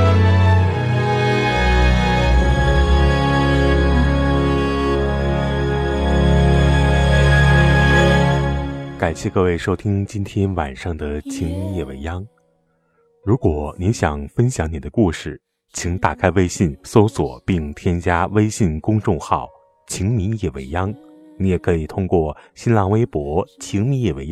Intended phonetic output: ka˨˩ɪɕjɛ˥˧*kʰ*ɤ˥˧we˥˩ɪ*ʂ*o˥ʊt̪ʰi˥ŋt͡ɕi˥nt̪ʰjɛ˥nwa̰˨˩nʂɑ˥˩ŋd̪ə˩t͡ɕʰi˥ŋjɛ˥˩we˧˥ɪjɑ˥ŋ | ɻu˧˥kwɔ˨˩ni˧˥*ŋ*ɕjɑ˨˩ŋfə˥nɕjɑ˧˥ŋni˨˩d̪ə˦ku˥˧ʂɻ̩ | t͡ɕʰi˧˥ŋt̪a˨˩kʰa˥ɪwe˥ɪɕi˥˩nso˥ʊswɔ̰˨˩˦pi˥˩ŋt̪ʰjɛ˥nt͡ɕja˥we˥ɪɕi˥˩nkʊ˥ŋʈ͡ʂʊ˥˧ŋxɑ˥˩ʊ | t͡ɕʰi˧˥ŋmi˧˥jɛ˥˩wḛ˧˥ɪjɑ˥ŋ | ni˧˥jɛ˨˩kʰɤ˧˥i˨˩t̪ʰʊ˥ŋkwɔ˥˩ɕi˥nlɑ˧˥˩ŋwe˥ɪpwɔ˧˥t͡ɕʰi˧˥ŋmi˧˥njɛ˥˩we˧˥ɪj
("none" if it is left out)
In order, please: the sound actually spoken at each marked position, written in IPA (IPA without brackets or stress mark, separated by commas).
k, ʂ, n